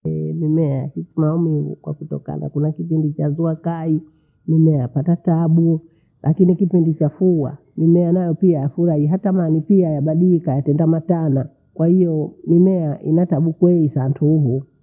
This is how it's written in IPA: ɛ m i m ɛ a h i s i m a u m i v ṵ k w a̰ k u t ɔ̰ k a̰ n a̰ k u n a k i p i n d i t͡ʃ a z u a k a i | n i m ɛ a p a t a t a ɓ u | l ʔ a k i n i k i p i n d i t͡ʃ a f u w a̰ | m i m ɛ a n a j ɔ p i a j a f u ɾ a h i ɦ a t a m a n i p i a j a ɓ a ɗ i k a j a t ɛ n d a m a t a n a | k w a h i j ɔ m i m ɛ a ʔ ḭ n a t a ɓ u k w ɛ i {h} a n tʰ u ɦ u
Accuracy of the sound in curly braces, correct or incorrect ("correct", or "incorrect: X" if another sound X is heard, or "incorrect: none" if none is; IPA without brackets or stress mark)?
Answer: incorrect: s